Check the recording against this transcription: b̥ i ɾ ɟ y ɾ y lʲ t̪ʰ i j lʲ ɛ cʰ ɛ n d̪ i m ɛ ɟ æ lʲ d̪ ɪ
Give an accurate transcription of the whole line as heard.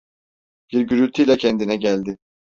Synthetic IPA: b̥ i ɾ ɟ y ɾ y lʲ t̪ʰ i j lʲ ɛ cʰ ɛ n d̪ i n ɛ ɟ æ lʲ d̪ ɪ